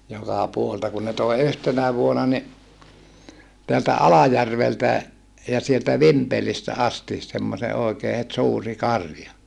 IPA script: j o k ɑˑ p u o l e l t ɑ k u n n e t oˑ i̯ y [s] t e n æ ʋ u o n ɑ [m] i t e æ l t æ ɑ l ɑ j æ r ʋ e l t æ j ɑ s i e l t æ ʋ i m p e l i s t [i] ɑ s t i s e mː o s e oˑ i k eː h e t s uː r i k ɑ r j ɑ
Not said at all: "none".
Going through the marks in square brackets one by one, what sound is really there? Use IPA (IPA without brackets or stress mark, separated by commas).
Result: h, n, æ